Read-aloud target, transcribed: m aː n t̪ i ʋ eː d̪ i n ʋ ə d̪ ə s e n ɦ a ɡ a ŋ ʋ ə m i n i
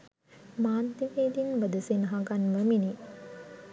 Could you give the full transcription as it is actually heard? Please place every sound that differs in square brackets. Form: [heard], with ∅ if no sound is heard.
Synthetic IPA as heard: m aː n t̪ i ʋ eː d̪ i n ʋ ə d̪ ə s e n ɦ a ɡ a [n] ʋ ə m i n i

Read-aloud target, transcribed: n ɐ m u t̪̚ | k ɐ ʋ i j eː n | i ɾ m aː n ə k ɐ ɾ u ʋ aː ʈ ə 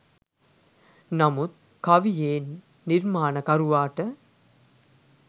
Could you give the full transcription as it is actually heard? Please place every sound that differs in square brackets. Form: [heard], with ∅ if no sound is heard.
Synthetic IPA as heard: n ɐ m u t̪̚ | k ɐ ʋ i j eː [nː] | i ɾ m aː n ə k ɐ ɾ u ʋ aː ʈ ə

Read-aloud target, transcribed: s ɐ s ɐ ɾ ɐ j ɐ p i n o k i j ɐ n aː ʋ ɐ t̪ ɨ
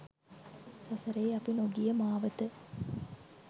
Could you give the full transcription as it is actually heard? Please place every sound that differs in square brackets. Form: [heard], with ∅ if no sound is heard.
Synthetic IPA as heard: s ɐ s ɐ ɾ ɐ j ɐ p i n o [ɡ] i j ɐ [m] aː ʋ ɐ t̪ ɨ

